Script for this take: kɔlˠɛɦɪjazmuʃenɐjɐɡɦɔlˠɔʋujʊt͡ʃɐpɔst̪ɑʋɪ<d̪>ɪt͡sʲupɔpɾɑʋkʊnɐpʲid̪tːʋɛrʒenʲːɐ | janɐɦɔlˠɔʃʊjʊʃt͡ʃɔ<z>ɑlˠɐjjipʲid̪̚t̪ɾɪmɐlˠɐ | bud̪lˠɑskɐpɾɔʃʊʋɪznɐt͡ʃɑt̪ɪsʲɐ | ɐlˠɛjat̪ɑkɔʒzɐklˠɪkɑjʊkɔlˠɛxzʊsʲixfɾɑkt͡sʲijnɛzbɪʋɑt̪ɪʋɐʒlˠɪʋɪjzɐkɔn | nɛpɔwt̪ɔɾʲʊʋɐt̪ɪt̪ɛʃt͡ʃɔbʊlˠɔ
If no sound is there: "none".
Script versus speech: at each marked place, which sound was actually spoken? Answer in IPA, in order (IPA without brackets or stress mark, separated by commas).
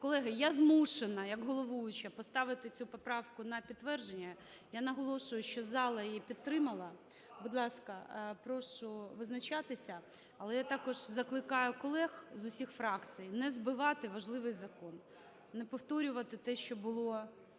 t̪, z